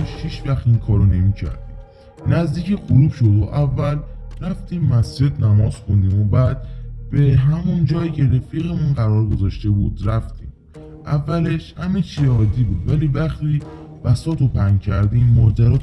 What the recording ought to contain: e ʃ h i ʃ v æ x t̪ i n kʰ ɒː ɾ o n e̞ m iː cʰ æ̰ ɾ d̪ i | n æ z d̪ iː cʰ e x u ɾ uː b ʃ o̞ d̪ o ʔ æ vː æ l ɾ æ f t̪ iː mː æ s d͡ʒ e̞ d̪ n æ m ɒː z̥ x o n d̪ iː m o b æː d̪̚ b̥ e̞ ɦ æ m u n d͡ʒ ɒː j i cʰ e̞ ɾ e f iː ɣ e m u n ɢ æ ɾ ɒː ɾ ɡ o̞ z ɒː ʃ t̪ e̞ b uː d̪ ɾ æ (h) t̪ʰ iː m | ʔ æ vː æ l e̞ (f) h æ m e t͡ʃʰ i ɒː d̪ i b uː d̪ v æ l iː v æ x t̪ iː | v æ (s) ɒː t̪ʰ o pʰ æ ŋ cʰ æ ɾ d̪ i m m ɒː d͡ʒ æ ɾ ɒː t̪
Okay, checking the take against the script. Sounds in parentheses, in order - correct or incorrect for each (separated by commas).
incorrect, incorrect, correct